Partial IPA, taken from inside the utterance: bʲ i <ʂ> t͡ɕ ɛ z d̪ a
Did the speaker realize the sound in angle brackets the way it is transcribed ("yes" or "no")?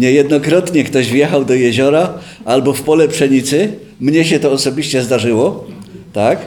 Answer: no